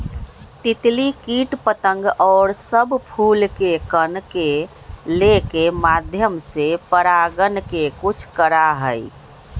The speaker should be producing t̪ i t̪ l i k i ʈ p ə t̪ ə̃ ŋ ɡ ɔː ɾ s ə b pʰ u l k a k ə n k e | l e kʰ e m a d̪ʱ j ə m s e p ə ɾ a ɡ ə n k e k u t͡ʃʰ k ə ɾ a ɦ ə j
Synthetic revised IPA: t̪ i t̪ l i k i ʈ p ə t̪ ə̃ ŋ ɡ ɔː ɾ s ə b pʰ u l k e k ə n k e | l e k e m a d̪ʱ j ə m s e p ə ɾ a ɡ ə n k e k u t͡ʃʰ k ə ɾ a ɦ ə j